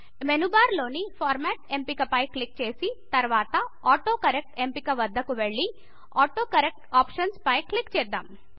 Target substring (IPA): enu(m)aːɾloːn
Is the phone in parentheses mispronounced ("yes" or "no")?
yes